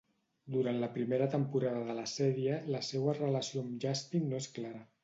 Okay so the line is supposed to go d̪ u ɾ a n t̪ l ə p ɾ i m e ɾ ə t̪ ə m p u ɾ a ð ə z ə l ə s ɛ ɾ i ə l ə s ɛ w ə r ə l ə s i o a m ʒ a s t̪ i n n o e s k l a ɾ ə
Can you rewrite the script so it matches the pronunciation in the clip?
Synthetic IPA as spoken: d̪ u ɾ a n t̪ l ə p ɾ i m e ɾ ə t̪ ə m p u ɾ a ð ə ð ə l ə s ɛ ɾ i ə l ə s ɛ w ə r ə l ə s i o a m ʒ a s t̪ i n n o e s k l a ɾ ə

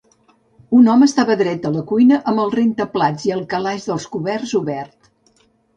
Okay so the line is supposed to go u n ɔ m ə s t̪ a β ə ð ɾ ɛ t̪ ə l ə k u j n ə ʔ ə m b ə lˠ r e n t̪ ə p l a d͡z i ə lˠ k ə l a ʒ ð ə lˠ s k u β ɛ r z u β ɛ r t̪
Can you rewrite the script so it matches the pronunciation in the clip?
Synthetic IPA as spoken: u n ɔ m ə s t̪ a β ə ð ɾ ɛ t̪ ə l ə k u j n ə ʔ ə m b ə lˠ r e n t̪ ə p l a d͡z i ə lˠ k ə l a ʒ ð ə lˠ s k u β ɛ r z u β ɛ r t̪

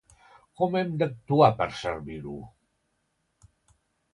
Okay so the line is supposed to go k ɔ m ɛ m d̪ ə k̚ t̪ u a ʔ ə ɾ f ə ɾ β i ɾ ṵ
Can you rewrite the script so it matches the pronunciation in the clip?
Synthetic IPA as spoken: k ɔ m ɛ m d̪ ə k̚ t̪ u a p ə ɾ s ə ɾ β i ɾ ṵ

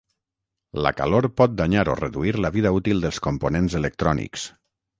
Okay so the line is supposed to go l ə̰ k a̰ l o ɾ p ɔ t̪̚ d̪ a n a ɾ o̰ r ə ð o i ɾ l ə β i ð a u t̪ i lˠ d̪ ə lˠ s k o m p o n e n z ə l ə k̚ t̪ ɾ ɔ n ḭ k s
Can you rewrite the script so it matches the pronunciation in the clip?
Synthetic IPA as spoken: l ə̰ k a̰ l o ɾ p ɔ t̪̚ d̪ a ɲ a ɾ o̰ r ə ð u i ɾ l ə β i ð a u t̪ i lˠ d̪ ə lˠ s k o m p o n e n z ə l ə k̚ t̪ ɾ ɔ n ḭ k s

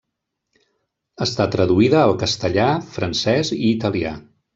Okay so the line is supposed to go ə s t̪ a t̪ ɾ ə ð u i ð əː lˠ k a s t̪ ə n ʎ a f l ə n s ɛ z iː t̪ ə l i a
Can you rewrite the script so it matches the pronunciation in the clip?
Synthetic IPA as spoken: ə s t̪ a t̪ ɾ ə ð u i ð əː lˠ k ə s t̪ ə ʎ a f ɾ ə n s ɛ z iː t̪ ə l i a

